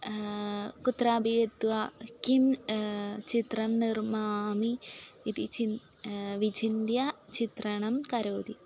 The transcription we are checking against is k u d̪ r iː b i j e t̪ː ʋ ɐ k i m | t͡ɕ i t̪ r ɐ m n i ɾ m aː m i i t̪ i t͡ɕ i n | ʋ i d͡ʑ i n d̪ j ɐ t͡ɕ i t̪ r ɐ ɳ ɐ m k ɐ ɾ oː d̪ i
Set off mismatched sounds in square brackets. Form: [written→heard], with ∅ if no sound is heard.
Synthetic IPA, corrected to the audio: k u [d̪→t̪] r [iː→aː] b i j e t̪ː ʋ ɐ k i m | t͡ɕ i t̪ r ɐ m n i [ɾ→r] m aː m i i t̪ i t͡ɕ i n | ʋ i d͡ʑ i n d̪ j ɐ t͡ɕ i t̪ r ɐ ɳ ɐ m k ɐ ɾ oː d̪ i